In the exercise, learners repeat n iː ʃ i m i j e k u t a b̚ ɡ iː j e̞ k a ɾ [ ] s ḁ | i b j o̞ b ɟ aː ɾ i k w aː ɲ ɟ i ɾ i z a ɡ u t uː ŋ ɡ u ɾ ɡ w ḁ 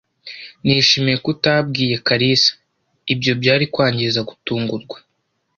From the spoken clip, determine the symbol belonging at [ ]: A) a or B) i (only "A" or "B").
B